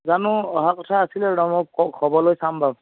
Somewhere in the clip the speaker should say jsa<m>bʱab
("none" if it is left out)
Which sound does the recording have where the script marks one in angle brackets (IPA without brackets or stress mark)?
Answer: m